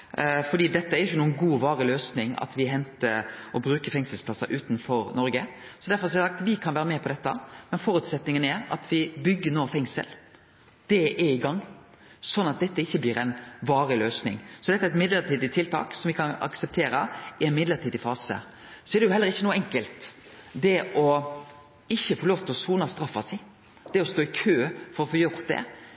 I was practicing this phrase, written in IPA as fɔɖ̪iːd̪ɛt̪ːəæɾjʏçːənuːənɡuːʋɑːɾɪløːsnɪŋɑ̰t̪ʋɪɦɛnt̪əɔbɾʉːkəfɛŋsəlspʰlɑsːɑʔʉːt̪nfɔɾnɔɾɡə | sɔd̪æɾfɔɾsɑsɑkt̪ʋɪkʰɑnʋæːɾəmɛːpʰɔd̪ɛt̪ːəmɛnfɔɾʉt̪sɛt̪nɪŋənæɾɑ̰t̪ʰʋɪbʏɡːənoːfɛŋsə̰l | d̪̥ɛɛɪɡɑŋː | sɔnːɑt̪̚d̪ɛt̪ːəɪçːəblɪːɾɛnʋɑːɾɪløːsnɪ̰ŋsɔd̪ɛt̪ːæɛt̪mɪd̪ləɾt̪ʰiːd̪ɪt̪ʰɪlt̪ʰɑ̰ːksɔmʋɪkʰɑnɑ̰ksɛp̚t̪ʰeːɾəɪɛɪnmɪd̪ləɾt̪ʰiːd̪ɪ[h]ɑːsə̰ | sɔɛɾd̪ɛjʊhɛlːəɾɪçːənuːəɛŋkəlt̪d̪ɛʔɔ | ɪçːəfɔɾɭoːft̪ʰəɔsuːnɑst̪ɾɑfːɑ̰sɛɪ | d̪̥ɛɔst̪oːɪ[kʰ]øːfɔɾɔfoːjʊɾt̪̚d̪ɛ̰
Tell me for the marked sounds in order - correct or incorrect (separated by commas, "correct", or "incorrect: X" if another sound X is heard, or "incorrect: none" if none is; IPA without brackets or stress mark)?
incorrect: f, correct